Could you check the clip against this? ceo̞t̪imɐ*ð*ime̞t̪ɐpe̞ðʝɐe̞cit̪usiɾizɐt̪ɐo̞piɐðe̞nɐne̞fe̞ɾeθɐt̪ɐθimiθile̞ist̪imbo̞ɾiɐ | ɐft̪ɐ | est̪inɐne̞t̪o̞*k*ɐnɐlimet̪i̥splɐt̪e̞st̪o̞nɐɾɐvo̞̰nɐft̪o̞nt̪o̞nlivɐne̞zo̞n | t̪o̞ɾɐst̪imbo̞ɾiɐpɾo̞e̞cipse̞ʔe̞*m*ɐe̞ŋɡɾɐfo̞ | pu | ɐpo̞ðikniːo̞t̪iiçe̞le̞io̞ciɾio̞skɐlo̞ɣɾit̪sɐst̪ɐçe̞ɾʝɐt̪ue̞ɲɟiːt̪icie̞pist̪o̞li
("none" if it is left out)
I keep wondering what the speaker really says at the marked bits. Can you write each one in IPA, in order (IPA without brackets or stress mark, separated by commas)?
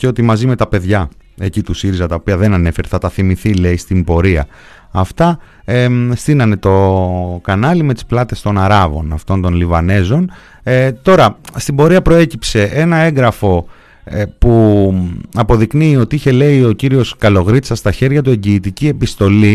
z, k, n